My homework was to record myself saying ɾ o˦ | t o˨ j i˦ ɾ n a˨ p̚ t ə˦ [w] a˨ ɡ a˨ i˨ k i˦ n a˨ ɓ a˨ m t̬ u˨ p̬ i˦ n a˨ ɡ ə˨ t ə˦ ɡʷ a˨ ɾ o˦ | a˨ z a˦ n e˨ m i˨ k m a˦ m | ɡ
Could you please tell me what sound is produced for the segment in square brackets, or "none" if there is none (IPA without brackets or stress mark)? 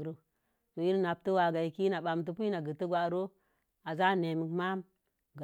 w